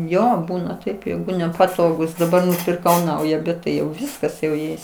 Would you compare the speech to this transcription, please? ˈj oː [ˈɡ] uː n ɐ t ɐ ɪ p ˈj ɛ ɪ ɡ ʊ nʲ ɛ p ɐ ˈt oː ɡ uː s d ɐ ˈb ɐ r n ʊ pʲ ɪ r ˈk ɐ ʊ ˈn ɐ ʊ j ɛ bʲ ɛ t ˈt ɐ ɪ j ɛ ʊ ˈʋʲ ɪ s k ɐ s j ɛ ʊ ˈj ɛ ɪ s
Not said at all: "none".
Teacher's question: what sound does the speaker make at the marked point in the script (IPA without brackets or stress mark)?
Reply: b